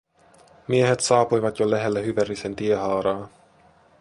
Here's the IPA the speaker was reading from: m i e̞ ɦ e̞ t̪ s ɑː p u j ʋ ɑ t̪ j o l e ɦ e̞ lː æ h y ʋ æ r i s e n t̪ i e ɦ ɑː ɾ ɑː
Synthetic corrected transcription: m i e̞ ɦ e̞ t̪ s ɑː p u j ʋ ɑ t̪ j o l æ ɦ e̞ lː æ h y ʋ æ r i s e n t̪ i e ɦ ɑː ɾ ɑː